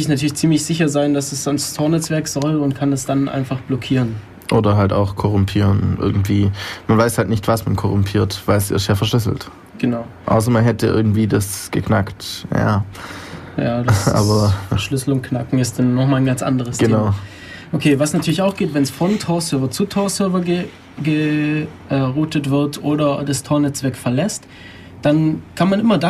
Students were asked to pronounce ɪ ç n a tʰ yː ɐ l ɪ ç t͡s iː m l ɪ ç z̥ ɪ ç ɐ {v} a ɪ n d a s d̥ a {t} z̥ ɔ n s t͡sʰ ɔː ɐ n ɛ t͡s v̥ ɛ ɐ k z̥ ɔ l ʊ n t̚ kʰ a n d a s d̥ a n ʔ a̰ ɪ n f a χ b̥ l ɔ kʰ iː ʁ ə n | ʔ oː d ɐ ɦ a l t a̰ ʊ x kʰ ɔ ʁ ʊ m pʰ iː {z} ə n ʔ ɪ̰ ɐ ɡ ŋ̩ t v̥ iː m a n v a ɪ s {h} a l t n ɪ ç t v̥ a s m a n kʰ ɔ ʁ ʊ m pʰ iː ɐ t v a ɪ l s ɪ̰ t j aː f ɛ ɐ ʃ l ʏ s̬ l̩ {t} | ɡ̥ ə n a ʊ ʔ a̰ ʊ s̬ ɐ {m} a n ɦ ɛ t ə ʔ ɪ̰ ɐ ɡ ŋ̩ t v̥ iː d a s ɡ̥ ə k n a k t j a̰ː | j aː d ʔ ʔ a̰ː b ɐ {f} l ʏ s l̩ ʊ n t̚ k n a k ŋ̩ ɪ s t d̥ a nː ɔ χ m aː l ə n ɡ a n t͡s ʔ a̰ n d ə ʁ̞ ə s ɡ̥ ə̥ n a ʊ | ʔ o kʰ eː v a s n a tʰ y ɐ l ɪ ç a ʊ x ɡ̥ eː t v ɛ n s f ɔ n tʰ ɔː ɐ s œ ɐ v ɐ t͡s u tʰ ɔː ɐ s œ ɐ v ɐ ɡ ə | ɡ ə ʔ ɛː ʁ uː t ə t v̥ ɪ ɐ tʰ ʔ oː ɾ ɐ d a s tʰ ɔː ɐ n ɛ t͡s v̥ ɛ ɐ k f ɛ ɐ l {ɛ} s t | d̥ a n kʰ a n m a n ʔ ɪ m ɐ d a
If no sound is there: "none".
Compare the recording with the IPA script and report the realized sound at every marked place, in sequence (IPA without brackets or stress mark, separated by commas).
z, s, ʁ, h, t, m, ʃ, ɛ